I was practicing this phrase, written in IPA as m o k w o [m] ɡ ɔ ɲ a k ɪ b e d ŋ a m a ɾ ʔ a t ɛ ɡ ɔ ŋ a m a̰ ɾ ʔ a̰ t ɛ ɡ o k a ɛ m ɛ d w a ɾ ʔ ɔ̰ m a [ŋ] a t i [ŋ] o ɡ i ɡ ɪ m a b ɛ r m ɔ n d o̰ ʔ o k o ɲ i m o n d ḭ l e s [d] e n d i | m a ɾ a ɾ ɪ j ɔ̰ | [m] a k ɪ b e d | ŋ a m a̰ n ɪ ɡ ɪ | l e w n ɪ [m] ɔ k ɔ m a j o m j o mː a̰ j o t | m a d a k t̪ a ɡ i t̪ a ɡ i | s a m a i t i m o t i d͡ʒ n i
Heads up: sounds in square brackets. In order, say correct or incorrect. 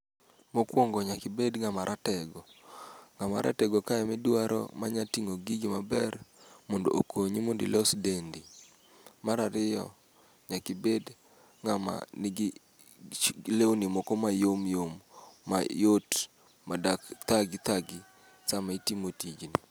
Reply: incorrect, incorrect, correct, correct, incorrect, correct

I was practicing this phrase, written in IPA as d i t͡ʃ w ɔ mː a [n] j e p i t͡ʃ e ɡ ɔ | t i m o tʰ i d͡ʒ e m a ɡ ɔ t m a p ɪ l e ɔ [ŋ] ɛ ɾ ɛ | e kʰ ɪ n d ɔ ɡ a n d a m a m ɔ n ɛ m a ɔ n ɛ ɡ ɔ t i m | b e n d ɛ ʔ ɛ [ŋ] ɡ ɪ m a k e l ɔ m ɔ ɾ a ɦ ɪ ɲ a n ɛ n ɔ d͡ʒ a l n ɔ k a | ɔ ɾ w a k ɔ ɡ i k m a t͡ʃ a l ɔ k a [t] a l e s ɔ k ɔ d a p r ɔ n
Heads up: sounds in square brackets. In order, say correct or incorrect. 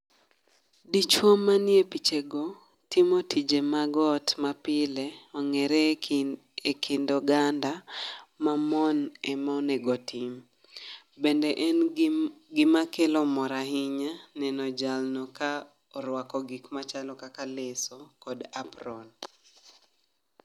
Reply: correct, correct, incorrect, incorrect

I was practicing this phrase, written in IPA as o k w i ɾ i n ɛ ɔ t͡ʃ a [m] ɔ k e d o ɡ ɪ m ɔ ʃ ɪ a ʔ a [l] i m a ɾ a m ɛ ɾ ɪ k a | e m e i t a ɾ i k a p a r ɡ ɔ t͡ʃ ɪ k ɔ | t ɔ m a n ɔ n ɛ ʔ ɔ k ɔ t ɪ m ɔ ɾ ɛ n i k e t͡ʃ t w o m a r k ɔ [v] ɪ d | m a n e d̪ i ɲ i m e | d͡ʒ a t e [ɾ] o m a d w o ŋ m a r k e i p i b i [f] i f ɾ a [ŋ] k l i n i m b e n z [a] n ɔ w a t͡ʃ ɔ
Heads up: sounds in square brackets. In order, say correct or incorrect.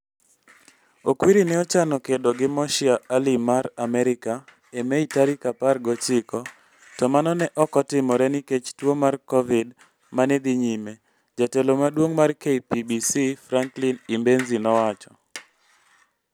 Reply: incorrect, correct, correct, incorrect, incorrect, correct, incorrect

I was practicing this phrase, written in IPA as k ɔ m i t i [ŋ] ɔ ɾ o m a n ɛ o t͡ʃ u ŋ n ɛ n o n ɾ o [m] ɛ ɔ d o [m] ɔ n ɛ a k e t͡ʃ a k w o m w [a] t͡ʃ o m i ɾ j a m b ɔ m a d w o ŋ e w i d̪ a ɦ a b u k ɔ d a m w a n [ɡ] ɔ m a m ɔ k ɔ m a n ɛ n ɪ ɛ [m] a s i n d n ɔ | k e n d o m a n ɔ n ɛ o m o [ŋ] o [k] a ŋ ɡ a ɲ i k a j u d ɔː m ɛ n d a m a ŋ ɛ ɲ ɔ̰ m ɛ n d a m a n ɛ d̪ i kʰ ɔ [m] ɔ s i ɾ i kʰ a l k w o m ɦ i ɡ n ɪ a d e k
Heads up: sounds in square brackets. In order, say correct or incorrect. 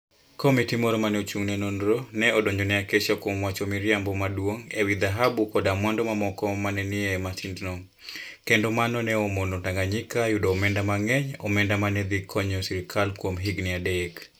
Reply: incorrect, incorrect, incorrect, correct, incorrect, correct, incorrect, incorrect, incorrect

